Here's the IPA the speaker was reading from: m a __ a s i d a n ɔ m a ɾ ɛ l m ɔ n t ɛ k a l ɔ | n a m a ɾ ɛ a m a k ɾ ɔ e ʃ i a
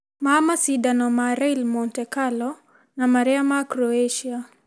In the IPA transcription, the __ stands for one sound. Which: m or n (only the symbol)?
m